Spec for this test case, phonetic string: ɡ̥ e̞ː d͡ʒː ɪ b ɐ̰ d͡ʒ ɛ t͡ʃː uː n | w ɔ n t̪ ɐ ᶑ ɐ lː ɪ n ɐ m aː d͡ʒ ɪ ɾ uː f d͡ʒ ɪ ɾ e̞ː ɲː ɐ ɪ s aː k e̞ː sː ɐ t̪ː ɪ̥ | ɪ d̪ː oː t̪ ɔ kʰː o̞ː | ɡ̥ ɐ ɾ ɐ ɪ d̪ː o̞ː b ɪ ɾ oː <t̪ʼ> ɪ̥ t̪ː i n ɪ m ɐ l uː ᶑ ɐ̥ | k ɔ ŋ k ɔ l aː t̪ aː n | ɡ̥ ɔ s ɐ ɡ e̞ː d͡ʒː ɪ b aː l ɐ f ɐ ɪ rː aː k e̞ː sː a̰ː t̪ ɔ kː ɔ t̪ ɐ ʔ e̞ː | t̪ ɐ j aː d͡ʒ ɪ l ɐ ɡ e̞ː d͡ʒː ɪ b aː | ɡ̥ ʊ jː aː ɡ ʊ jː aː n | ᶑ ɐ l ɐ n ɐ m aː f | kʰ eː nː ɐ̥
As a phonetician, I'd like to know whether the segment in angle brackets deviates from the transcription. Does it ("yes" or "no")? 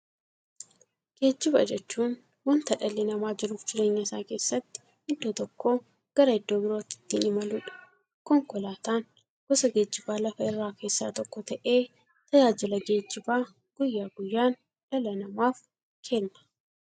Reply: yes